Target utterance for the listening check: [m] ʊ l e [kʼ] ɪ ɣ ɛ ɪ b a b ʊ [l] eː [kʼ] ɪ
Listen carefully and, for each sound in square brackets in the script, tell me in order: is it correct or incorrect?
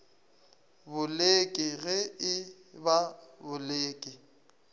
incorrect: b, correct, correct, correct

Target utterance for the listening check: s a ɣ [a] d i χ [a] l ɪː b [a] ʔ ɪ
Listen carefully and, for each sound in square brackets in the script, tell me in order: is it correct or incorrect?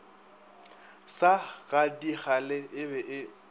correct, correct, incorrect: ɛ

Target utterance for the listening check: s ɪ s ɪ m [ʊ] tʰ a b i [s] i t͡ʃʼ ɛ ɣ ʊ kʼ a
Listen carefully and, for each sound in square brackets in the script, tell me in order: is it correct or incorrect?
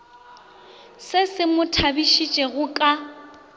correct, incorrect: ʃ

